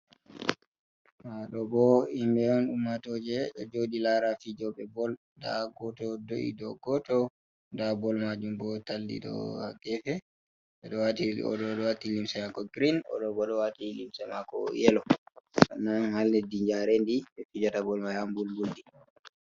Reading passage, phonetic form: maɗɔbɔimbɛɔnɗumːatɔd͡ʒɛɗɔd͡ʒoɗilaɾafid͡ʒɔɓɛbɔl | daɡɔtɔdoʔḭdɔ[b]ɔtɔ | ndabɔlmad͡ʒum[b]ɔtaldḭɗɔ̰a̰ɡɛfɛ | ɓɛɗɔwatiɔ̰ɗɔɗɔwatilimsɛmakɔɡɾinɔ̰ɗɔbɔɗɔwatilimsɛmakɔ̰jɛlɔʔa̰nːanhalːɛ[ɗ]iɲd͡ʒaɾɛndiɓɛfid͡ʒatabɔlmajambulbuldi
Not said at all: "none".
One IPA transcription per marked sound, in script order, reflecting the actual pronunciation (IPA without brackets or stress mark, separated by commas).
ɡ, b, d